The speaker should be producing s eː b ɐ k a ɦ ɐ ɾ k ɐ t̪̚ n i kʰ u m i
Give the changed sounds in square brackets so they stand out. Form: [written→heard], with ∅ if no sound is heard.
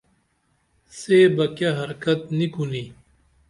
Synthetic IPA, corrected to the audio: s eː b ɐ k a ɦ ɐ ɾ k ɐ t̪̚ n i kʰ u [m→n] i